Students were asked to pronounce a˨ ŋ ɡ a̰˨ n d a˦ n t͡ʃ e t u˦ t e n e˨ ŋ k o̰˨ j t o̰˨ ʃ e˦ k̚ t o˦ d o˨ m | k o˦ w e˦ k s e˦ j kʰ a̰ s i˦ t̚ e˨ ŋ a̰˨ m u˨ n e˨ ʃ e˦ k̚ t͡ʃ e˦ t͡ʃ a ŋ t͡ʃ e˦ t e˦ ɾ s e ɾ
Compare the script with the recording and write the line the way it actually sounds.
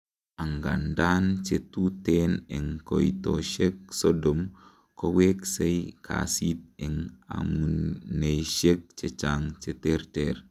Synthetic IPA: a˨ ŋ ɡ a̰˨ n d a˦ n t͡ʃ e t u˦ t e n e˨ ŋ k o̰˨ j t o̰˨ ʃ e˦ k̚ s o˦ d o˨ m | k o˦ w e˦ k s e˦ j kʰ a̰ s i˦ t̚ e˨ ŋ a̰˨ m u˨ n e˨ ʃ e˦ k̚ t͡ʃ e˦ t͡ʃ a ŋ t͡ʃ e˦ t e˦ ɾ t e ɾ

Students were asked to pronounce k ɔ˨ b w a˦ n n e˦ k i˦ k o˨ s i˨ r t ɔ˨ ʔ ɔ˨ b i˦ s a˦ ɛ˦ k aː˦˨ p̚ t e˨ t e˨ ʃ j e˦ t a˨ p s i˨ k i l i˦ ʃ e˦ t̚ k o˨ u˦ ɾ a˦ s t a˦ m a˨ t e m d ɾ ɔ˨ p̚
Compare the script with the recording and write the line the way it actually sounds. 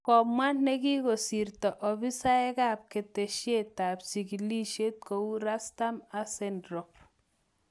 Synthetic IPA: k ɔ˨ m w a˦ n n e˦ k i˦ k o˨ s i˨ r t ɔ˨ ʔ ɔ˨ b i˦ s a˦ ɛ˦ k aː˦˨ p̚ k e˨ t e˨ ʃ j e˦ t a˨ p s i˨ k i l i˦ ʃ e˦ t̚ k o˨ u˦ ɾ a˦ s t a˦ m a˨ s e n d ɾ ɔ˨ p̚

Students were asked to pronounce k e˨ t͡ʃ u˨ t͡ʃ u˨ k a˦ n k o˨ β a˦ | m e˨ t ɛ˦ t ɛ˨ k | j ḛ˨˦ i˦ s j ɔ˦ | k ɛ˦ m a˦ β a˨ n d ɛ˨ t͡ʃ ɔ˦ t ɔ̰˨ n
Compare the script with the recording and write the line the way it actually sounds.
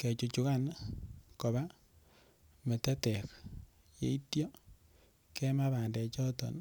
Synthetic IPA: k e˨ t͡ʃ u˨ t͡ʃ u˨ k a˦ n k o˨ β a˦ | m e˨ t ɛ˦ t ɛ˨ k | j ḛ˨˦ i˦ t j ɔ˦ | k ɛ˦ m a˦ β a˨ n d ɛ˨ t͡ʃ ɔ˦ t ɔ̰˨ n

